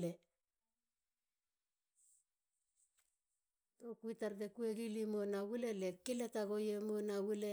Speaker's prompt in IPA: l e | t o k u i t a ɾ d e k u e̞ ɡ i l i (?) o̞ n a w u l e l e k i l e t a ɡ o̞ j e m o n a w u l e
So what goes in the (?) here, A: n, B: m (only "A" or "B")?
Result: B